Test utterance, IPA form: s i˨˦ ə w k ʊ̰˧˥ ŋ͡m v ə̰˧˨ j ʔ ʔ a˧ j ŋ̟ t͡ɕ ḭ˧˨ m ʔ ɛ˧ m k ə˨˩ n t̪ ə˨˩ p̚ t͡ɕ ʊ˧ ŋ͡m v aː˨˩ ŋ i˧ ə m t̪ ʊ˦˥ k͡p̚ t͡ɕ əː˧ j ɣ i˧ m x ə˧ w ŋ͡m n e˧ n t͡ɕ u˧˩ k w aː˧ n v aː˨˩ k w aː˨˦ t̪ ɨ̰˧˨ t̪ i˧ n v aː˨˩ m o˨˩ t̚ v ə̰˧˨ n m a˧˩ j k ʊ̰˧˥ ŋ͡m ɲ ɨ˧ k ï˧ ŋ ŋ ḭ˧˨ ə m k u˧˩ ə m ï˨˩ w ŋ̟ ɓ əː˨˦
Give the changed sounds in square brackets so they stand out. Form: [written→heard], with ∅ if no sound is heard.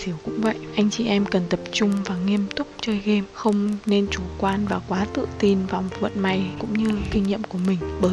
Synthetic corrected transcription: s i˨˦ ə w k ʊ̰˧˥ ŋ͡m v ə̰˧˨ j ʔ ʔ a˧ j ŋ̟ t͡ɕ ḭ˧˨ [m→∅] ʔ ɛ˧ m k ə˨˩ n t̪ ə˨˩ p̚ t͡ɕ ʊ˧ ŋ͡m v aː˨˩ ŋ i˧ ə m t̪ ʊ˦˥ k͡p̚ t͡ɕ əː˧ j ɣ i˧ m x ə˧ w ŋ͡m n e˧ n t͡ɕ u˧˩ k w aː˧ n v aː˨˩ k w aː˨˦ t̪ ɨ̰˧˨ t̪ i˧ n v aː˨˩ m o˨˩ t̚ v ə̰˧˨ n m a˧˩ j k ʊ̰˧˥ ŋ͡m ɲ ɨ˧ k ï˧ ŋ [ŋ→ɲ] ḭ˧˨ ə m k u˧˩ ə m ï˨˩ [w→∅] ŋ̟ ɓ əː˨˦